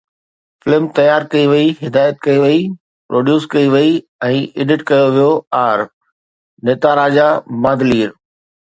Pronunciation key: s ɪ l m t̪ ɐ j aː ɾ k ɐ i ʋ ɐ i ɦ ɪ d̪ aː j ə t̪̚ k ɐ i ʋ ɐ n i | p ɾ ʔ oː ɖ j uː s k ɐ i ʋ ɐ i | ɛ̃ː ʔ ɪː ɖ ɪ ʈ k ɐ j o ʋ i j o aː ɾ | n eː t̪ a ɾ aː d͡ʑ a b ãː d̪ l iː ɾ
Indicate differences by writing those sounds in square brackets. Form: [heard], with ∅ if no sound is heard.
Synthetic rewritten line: [f] ɪ l m t̪ ɐ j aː ɾ k ɐ i ʋ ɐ i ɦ ɪ d̪ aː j ə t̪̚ k ɐ i ʋ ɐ [∅] i | p ɾ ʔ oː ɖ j uː s k ɐ i ʋ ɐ i | ɛ̃ː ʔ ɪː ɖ ɪ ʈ k ɐ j o ʋ i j o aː ɾ | n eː t̪ a ɾ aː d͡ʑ a [m] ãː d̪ l iː ɾ